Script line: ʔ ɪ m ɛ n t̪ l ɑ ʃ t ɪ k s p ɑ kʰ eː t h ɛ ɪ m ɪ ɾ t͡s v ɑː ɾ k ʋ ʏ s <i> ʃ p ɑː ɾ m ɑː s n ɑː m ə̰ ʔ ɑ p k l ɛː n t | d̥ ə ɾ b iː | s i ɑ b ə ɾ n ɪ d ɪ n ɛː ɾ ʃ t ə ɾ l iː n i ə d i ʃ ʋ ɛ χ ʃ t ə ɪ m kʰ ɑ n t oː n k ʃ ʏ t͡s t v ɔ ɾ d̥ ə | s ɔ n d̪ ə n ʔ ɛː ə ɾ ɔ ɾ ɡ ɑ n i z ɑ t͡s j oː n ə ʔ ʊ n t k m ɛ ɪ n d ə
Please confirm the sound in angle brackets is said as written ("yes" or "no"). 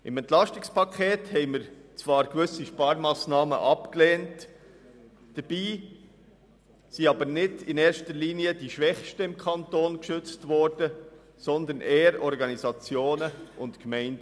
yes